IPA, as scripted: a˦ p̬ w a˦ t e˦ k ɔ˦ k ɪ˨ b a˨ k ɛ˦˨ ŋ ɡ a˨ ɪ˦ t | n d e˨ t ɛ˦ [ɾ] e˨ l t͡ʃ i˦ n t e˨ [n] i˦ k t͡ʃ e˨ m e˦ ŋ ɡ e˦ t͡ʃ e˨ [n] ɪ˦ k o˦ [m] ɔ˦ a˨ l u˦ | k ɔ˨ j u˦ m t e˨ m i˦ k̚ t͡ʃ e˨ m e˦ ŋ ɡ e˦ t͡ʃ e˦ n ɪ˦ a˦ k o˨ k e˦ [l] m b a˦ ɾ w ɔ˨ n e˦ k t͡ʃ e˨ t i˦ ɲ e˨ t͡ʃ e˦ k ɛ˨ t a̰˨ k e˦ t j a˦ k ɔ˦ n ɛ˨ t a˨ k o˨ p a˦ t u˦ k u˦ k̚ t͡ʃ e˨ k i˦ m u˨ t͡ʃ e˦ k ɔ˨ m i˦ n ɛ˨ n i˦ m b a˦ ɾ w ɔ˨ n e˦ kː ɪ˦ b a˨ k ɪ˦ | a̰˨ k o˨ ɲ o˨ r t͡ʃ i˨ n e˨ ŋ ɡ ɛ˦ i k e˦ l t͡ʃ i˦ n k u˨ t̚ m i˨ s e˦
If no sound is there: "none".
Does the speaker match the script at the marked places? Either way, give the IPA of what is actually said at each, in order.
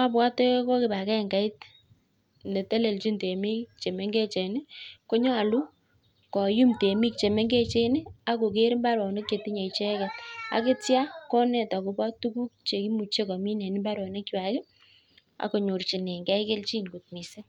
l, m, n, ɲ, ɾ

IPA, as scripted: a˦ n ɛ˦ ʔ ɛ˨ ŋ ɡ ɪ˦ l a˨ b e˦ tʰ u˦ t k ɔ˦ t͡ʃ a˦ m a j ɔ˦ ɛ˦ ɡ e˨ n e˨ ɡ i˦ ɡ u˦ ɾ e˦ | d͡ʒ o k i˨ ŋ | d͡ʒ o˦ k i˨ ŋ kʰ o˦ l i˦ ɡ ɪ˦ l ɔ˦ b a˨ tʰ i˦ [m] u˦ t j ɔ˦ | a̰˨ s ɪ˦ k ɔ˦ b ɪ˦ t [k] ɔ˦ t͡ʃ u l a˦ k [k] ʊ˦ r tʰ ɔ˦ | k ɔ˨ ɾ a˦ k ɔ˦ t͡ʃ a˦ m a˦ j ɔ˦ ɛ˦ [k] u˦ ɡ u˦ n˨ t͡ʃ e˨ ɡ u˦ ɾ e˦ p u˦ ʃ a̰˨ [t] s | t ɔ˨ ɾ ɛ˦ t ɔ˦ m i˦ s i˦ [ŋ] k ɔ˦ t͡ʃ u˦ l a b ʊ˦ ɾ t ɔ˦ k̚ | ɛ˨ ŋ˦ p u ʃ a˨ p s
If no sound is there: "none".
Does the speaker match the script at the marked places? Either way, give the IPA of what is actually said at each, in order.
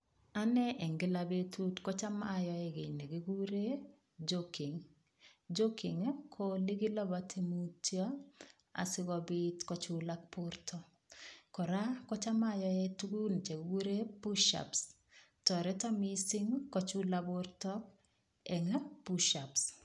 m, k, p, t, p, ŋ

